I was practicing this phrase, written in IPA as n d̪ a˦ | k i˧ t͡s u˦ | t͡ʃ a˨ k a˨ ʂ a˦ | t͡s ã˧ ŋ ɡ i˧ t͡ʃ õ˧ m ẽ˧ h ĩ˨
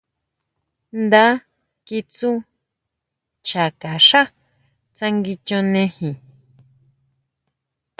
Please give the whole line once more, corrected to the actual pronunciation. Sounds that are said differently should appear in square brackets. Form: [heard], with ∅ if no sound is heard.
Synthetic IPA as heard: n d̪ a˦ | k i˧ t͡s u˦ | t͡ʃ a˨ k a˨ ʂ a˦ | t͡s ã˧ ŋ ɡ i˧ t͡ʃ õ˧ [n] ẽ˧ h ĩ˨